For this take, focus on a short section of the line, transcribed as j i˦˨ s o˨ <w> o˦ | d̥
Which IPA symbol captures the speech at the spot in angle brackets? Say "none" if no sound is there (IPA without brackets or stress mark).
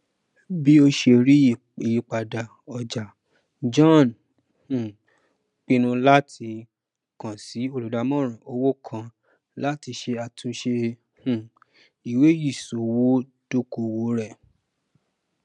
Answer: w